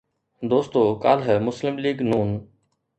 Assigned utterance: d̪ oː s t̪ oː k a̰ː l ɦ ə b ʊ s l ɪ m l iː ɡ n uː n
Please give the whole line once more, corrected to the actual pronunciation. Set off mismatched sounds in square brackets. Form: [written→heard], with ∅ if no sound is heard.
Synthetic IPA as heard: d̪ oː s t̪ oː k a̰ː l ɦ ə [b→m] ʊ s l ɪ m l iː ɡ n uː n